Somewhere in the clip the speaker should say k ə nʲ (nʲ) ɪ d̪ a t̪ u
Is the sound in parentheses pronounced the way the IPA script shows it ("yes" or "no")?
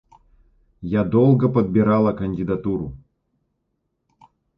no